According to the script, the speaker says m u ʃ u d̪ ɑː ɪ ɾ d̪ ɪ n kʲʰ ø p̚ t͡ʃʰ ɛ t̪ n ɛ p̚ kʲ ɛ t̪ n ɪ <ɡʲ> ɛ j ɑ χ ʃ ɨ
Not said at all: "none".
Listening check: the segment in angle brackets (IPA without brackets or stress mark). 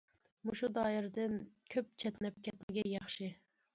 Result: ɡʲ